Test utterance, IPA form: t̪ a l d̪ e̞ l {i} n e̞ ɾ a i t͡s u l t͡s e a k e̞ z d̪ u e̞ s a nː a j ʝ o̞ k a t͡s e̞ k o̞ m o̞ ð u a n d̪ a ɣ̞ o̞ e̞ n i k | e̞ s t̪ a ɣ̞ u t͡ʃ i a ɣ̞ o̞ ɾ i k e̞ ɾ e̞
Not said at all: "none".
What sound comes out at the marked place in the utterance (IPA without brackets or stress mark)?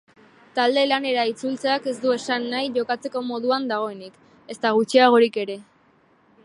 a